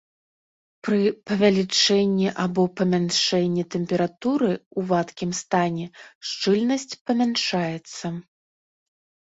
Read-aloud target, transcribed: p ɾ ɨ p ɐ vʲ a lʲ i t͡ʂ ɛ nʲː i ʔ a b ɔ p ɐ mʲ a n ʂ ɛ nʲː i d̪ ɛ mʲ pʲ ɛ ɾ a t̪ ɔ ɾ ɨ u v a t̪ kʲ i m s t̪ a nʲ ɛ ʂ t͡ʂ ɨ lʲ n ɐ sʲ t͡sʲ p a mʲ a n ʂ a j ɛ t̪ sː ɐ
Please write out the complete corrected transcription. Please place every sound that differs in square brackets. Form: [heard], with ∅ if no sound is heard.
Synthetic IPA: p ɾ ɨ p ɐ vʲ a lʲ i t͡ʂ ɛ nʲː i ʔ a b ɔ p ɐ mʲ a n ʂ ɛ nʲː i [t̪] ɛ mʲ pʲ ɛ ɾ a t̪ [u] ɾ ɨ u v a t̪ kʲ i m s t̪ a nʲ ɛ ʂ t͡ʂ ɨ lʲ n ɐ sʲ t͡sʲ p [ɐ] mʲ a n ʂ a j ɛ t̪ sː ɐ

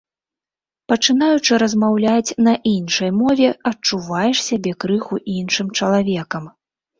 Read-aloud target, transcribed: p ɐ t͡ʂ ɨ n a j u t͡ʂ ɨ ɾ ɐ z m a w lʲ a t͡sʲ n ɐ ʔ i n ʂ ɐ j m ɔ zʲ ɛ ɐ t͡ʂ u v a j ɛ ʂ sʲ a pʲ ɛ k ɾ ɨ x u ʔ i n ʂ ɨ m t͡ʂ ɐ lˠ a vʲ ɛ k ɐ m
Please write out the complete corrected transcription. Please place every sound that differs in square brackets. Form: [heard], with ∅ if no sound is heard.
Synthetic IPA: p ɐ t͡ʂ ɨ n a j u t͡ʂ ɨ ɾ ɐ z m a w lʲ a t͡sʲ n ɐ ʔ i n ʂ ɐ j m ɔ [vʲ] ɛ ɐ t͡ʂ u v a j ɛ ʂ sʲ a [bʲ] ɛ k ɾ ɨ x u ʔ i n ʂ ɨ m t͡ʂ ɐ lˠ a vʲ ɛ k ɐ m

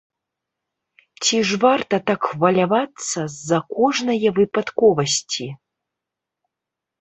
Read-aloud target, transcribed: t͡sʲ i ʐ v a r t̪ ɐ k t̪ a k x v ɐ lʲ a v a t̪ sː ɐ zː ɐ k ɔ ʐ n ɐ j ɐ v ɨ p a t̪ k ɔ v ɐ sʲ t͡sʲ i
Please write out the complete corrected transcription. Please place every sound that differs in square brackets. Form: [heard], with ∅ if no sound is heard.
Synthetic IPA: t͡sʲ i ʐ v a r t̪ ɐ [∅] t̪ a k x v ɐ lʲ a v a t̪ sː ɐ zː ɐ k ɔ ʐ n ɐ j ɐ v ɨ p a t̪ k ɔ v ɐ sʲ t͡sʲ i

